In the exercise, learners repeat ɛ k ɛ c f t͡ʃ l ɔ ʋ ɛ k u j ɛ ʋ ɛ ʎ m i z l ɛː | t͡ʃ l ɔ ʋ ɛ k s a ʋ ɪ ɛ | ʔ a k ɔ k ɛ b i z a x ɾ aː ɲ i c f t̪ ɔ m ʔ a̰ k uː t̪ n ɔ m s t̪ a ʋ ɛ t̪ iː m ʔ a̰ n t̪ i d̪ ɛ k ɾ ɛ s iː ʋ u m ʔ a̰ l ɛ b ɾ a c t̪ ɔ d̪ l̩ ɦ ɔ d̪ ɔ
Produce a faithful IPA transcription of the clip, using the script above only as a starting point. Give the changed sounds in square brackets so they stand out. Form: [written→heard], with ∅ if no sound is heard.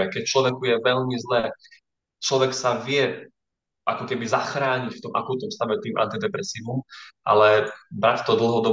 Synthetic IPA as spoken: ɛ k ɛ c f t͡ʃ l ɔ ʋ ɛ k u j ɛ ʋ ɛ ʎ m i z l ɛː | t͡ʃ l ɔ ʋ ɛ k s a ʋ ɪ ɛ | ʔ a k ɔ k ɛ b i z a x ɾ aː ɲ i c f t̪ ɔ m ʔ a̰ k uː t̪ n ɔ m s t̪ a ʋ ɛ t̪ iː m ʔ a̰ n t̪ i d̪ ɛ [k→p] ɾ ɛ s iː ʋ u m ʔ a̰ l ɛ b ɾ a c t̪ ɔ d̪ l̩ ɦ ɔ d̪ ɔ